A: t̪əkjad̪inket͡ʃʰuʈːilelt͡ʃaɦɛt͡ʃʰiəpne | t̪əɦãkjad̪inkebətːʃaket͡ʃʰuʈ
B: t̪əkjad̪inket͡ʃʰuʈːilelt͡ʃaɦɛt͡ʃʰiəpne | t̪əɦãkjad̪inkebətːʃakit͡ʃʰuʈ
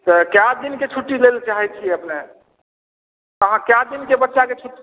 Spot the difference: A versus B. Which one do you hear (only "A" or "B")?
A